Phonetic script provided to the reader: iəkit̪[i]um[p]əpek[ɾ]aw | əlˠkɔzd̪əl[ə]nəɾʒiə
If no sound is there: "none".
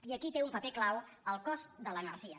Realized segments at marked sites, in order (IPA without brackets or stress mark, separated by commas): e, p, l, ə